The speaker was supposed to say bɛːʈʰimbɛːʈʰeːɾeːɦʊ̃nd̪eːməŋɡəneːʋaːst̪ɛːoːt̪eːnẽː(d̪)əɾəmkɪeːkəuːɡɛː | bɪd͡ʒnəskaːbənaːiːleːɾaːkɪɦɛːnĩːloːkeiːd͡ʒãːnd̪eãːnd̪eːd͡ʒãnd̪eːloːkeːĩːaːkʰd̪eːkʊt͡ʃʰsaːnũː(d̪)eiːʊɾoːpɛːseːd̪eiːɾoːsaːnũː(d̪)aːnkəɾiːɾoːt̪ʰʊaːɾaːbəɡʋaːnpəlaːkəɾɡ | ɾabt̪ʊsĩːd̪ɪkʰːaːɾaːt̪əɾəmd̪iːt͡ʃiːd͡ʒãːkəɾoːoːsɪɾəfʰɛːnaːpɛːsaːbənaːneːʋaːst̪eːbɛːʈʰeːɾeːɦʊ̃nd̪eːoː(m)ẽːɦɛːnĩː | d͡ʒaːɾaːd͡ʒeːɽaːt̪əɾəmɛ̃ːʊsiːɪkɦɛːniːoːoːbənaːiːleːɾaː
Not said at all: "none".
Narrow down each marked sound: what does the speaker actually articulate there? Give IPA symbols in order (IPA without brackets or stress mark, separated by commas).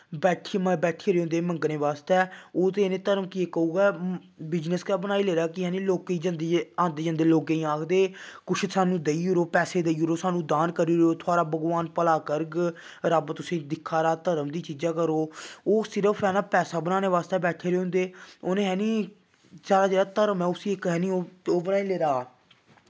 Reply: t̪, d̪, d̪, n